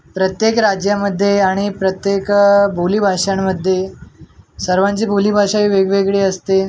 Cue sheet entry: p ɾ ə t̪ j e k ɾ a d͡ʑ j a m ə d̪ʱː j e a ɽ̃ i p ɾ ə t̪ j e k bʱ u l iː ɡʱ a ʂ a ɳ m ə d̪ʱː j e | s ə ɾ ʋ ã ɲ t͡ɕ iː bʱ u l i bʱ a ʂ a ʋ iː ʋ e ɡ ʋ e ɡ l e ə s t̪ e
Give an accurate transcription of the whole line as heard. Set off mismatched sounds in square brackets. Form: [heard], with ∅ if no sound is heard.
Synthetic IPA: p ɾ ə t̪ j e k ɾ a d͡ʑ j a m ə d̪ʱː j e a ɽ̃ i p ɾ ə t̪ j e k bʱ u l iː [bʱ] a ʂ a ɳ m ə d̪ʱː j e | s ə ɾ ʋ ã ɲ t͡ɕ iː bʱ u l i bʱ a ʂ a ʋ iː ʋ e ɡ ʋ e ɡ [ɭ] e ə s t̪ e